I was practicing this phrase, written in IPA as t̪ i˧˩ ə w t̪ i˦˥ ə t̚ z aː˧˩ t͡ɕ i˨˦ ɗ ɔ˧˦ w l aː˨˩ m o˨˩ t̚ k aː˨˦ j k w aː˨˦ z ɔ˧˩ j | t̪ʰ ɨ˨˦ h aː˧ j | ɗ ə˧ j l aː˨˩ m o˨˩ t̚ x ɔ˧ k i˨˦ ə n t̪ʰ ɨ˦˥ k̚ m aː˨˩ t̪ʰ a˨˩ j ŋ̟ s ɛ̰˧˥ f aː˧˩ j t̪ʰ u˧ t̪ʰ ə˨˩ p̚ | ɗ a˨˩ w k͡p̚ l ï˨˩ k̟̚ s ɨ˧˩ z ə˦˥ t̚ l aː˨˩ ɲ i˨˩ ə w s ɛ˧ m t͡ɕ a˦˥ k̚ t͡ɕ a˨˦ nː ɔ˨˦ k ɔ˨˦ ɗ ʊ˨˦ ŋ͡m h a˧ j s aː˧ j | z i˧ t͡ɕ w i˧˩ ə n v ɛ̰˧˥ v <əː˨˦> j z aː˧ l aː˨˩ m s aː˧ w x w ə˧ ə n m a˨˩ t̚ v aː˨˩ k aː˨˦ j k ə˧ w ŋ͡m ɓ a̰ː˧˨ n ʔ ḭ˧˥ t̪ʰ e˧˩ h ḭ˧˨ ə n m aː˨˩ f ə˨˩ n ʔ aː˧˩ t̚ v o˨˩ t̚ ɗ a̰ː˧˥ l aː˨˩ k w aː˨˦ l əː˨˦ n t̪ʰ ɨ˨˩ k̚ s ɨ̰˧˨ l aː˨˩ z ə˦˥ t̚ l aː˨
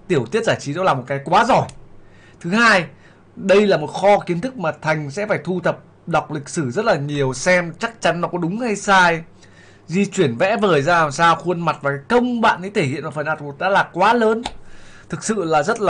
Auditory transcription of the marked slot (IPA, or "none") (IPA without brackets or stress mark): əː˨˩